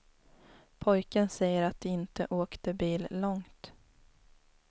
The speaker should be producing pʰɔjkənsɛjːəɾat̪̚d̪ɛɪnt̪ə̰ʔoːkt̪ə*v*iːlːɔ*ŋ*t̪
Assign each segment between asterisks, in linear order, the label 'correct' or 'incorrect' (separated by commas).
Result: incorrect, correct